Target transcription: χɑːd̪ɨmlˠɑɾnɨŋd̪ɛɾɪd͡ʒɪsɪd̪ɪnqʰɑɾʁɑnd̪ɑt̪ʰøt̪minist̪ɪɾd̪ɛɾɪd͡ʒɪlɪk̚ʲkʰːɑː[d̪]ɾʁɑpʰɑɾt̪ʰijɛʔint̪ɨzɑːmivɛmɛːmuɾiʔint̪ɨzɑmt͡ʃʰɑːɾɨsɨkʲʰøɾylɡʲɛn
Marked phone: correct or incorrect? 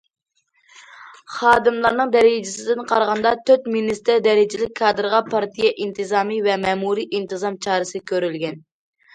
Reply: correct